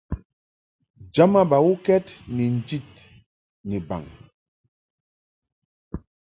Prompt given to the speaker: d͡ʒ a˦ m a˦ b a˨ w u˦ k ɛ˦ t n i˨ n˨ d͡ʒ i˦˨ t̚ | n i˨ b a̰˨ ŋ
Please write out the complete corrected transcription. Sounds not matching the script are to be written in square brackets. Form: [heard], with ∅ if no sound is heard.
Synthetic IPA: d͡ʒ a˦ m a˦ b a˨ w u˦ k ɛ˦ t n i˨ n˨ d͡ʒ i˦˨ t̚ | n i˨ b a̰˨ ŋ